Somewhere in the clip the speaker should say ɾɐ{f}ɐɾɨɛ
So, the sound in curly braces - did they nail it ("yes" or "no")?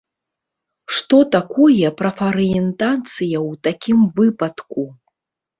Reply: yes